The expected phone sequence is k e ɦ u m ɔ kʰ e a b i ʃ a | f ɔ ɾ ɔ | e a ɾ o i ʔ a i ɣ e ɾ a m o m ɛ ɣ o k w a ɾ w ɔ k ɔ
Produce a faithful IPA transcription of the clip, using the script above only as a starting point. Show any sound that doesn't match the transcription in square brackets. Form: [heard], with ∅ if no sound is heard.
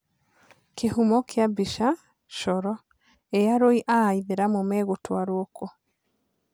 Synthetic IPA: k e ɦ u m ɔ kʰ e a b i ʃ a | [ʃ] ɔ ɾ ɔ | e a ɾ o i ʔ a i [ð] e ɾ a m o m ɛ ɣ o [t] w a ɾ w ɔ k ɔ